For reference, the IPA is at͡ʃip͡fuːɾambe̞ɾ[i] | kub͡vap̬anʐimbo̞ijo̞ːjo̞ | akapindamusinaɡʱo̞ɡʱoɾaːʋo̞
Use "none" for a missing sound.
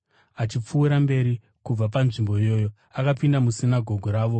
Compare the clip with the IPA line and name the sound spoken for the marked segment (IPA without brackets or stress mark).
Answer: i